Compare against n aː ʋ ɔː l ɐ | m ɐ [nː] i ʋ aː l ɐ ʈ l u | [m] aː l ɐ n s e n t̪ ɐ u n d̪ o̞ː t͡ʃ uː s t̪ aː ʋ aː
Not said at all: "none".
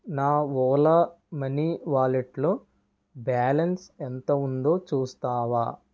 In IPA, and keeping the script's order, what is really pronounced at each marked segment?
n, b

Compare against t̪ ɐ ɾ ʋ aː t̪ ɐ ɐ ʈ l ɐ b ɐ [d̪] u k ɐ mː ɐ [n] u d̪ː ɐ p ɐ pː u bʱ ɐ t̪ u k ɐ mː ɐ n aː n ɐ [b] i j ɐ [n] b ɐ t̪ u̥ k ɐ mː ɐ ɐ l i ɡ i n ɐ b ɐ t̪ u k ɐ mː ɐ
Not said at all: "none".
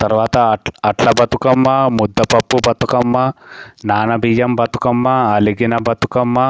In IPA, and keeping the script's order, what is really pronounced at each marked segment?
t̪, m, b, m

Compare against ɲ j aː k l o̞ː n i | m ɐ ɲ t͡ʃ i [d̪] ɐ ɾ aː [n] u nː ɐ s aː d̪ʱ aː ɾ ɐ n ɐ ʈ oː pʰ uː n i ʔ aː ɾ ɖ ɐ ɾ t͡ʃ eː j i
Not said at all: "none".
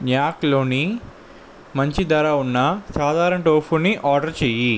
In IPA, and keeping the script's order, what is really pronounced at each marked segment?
d̪, none

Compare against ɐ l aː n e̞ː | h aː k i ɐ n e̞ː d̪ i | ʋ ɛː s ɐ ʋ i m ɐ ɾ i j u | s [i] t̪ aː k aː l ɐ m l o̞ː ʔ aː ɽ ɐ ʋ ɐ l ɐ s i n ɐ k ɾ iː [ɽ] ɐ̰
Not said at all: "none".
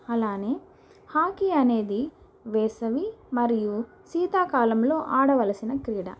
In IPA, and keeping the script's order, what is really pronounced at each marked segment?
iː, ɽ

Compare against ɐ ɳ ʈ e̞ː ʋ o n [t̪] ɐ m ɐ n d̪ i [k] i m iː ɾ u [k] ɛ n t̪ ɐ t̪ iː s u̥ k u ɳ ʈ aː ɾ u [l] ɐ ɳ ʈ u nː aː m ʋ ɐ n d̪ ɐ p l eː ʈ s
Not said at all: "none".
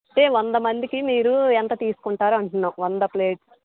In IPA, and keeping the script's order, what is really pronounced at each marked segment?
d̪, k, none, none

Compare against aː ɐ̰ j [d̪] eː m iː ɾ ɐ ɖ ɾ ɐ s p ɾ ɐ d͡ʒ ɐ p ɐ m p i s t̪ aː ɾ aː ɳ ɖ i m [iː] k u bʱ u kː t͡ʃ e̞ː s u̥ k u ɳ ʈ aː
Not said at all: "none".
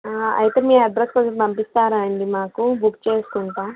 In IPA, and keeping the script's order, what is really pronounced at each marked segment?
t̪, aː

